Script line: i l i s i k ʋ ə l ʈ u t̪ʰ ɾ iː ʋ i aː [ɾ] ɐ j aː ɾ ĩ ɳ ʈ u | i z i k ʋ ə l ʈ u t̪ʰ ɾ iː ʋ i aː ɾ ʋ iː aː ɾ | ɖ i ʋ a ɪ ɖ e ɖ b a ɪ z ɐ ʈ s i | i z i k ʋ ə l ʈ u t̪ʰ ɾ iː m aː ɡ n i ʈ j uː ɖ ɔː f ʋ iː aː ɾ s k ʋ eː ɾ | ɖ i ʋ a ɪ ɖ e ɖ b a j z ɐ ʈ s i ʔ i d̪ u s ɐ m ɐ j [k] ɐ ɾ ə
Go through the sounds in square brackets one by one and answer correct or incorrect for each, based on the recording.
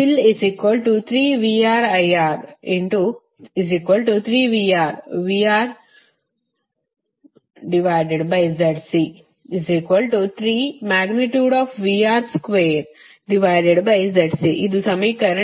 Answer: correct, correct

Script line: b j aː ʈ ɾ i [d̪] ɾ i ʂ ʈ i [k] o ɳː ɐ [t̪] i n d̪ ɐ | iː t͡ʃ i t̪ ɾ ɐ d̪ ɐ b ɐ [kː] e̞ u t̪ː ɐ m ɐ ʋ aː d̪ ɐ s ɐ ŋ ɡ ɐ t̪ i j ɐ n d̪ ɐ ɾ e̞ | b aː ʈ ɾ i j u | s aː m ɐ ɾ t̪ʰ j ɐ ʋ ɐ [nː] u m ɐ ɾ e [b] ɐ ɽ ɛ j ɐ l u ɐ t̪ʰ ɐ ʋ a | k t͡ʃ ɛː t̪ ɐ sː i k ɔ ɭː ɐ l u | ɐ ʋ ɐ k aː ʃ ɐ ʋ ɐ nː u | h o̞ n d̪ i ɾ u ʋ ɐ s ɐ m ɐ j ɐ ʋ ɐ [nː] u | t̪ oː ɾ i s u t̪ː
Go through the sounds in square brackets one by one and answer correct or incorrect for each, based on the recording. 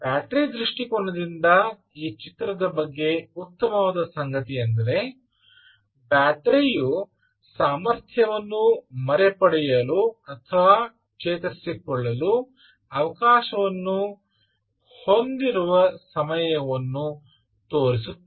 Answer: correct, correct, incorrect: d̪, incorrect: ɡː, correct, incorrect: p, correct

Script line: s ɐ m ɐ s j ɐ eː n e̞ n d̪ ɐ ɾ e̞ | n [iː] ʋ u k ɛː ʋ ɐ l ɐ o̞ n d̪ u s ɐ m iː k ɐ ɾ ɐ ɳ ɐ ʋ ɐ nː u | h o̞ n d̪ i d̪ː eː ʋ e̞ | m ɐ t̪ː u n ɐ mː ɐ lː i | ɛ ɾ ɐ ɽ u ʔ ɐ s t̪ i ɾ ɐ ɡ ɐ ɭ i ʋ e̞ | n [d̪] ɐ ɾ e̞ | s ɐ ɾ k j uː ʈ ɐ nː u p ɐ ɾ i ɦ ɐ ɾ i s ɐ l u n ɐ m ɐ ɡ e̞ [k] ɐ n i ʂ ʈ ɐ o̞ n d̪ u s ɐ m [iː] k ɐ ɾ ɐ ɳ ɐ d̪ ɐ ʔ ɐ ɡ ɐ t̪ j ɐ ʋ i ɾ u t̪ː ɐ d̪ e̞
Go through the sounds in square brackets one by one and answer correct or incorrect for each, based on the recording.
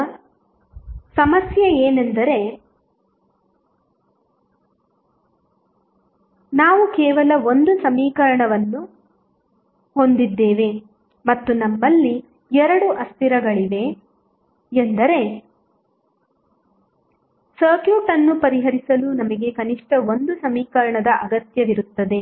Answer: incorrect: aː, correct, correct, correct

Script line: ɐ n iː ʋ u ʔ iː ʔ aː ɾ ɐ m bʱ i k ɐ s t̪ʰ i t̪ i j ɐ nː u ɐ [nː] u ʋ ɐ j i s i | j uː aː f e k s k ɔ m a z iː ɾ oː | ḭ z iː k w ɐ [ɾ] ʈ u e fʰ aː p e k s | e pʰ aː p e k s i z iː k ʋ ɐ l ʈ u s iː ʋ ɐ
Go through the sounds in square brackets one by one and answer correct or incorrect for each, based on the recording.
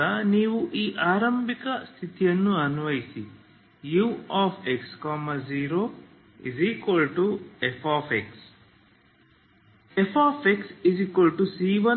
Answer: incorrect: n, incorrect: l

